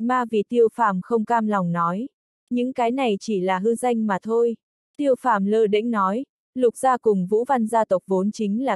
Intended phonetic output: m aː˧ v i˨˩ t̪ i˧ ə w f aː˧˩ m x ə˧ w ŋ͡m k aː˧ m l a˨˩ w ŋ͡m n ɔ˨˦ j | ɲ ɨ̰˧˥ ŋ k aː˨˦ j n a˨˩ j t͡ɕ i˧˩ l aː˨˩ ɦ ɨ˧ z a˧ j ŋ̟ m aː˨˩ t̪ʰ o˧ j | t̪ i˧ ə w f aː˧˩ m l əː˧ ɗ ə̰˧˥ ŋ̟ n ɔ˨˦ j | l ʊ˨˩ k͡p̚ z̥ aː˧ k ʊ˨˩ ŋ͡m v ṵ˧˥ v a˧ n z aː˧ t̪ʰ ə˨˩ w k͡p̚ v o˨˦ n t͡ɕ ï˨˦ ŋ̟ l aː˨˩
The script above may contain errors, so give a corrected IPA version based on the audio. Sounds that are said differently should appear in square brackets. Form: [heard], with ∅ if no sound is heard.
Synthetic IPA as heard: m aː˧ v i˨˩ t̪ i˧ ə w f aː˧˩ m x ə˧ w ŋ͡m k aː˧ m l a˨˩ w ŋ͡m n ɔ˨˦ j | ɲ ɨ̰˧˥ ŋ k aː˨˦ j n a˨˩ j t͡ɕ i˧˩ l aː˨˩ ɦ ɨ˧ z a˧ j ŋ̟ m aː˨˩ t̪ʰ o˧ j | t̪ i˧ ə w f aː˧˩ m l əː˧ ɗ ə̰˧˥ ŋ̟ n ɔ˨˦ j | l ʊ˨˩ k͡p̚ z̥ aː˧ k ʊ˨˩ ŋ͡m v ṵ˧˥ v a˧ n z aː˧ [t̪] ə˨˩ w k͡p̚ v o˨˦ n t͡ɕ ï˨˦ ŋ̟ l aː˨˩

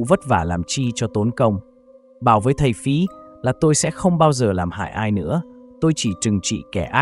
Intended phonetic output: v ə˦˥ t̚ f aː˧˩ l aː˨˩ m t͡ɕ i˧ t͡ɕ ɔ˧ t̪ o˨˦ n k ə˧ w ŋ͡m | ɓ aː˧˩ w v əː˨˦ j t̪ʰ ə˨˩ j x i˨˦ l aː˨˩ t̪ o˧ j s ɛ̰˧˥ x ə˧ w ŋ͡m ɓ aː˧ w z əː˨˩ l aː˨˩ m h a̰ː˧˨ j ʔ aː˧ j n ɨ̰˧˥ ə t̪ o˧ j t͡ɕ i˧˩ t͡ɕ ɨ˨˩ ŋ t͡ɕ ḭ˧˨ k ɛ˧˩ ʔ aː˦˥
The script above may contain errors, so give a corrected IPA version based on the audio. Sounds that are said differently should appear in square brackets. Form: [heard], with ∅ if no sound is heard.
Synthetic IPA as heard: v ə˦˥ t̚ [v] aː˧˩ l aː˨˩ m t͡ɕ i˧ t͡ɕ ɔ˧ t̪ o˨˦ n k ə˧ w ŋ͡m | ɓ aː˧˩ w v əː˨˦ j t̪ʰ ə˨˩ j [f] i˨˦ l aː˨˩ t̪ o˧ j s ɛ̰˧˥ x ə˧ w ŋ͡m ɓ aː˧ w z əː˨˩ l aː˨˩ m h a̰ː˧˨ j ʔ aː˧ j n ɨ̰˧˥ ə t̪ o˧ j t͡ɕ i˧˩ t͡ɕ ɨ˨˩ ŋ t͡ɕ ḭ˧˨ k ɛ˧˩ ʔ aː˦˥

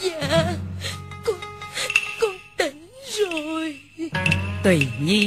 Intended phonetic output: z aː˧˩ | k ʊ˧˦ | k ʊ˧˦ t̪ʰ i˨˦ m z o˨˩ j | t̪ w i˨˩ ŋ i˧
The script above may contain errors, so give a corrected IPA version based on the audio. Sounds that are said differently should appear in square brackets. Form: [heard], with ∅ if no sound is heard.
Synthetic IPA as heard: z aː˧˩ | k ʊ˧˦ | k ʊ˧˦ [t̪] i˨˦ [ŋ] z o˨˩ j | t̪ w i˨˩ [ɲ] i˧

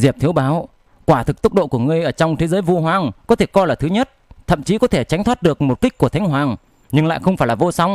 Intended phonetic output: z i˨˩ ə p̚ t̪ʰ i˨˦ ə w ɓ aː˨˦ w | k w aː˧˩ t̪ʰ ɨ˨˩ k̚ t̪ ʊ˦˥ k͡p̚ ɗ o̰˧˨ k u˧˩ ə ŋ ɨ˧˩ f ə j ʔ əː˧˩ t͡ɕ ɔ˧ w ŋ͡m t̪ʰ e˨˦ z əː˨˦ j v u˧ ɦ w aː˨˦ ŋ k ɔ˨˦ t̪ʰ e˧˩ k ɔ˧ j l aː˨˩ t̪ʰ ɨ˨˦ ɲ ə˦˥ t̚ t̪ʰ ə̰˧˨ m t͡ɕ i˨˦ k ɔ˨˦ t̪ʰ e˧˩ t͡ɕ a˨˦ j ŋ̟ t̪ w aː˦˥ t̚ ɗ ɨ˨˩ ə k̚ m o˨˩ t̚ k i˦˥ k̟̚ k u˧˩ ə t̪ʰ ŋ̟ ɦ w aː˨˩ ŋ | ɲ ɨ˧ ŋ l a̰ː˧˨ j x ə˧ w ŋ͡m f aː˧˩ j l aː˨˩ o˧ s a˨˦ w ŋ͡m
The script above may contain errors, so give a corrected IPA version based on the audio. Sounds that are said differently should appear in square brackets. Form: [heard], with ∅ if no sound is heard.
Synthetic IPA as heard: z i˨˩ ə p̚ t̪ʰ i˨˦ ə w ɓ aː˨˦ w | k w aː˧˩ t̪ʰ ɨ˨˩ k̚ t̪ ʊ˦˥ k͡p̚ ɗ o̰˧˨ k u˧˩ ə ŋ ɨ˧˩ [∅] ə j ʔ əː˧˩ t͡ɕ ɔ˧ w ŋ͡m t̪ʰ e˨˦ z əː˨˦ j v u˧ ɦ w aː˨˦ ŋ k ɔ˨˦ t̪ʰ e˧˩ k ɔ˧ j l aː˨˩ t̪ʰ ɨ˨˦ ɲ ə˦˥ t̚ t̪ʰ ə̰˧˨ m t͡ɕ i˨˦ k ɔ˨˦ t̪ʰ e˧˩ t͡ɕ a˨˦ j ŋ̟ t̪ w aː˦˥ t̚ ɗ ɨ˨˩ ə k̚ m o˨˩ t̚ k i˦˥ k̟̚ k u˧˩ ə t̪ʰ ŋ̟ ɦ w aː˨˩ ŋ | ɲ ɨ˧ ŋ l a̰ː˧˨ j x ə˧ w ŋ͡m f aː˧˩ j l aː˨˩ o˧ s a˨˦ w ŋ͡m

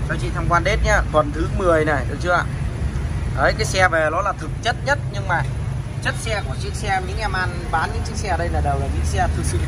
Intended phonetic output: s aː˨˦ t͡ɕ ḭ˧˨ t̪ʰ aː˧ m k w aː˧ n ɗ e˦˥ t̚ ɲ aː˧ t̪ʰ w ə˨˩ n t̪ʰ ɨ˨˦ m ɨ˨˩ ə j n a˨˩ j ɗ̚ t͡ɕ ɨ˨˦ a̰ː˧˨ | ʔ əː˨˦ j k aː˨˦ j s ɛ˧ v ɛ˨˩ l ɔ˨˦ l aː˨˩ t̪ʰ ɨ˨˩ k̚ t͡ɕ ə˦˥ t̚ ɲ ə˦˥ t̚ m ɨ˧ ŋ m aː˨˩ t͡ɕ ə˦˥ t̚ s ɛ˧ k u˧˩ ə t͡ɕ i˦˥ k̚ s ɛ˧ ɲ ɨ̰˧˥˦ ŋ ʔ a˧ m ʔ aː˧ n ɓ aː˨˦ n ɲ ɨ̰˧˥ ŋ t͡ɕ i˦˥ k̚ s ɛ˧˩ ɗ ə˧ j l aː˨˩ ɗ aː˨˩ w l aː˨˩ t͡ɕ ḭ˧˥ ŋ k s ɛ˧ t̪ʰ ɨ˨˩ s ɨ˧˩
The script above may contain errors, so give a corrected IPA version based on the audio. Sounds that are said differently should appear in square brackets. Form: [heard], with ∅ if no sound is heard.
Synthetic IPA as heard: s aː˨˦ t͡ɕ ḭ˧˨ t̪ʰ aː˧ m k w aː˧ n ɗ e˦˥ t̚ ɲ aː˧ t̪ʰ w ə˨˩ n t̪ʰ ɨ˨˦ m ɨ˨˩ ə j n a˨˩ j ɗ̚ t͡ɕ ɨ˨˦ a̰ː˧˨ | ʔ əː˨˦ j k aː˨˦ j s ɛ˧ v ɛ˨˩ l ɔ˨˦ l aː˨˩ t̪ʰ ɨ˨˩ k̚ t͡ɕ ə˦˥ t̚ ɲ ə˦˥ t̚ [ɲ] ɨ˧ ŋ m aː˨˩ t͡ɕ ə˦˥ t̚ s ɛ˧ k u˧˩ ə t͡ɕ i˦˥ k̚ s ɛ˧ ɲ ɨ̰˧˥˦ ŋ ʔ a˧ m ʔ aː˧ n ɓ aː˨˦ n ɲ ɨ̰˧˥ ŋ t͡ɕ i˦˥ k̚ s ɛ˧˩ ɗ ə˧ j l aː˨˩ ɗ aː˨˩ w l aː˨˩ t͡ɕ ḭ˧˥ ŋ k s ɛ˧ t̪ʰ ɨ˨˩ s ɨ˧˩

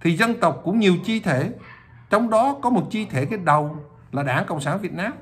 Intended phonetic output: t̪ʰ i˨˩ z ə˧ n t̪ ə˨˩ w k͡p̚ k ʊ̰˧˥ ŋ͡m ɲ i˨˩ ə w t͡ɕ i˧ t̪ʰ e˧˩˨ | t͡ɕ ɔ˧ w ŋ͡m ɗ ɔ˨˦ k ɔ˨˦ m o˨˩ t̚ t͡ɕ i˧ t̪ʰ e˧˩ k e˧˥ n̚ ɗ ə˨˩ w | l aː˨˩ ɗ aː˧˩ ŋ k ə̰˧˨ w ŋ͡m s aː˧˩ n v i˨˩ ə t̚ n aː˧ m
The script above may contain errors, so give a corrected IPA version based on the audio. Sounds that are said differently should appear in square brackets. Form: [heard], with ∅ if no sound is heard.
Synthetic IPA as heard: t̪ʰ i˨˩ z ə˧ n t̪ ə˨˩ w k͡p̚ k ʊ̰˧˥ ŋ͡m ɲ i˨˩ ə w t͡ɕ i˧ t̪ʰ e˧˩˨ | t͡ɕ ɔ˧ w ŋ͡m ɗ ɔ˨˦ k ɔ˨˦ m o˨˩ t̚ t͡ɕ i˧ t̪ʰ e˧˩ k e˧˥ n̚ ɗ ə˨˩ w | l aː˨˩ ɗ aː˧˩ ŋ k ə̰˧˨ w ŋ͡m s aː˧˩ n v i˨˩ ə t̚ n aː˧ m

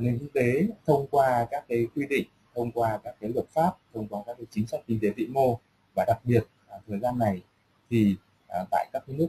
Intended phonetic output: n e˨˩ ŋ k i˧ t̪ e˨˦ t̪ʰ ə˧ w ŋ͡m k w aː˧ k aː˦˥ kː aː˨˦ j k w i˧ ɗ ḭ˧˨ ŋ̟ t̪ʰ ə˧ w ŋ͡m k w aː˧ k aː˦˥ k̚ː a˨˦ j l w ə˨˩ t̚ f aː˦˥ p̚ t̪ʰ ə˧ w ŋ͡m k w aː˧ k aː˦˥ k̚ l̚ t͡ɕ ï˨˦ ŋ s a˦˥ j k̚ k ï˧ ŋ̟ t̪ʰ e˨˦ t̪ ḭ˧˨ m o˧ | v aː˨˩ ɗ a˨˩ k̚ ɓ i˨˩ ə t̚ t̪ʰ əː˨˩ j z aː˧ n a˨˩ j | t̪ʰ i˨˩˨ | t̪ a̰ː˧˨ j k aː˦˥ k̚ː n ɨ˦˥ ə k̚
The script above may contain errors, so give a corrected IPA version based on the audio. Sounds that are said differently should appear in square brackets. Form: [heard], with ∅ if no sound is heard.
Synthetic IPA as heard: n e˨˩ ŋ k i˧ t̪ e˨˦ t̪ʰ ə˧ w ŋ͡m k w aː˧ k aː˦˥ kː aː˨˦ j k w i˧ ɗ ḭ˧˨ ŋ̟ t̪ʰ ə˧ w ŋ͡m k w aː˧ k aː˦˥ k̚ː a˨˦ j l w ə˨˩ t̚ f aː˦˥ p̚ t̪ʰ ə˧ w ŋ͡m k w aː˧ k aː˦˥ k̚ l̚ t͡ɕ ï˨˦ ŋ s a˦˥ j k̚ k ï˧ ŋ̟ [t̪] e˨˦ t̪ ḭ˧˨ m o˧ | v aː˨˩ ɗ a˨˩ k̚ ɓ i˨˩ ə t̚ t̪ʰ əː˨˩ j z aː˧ [nː] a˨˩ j | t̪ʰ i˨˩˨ | t̪ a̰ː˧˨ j k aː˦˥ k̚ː n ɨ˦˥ ə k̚

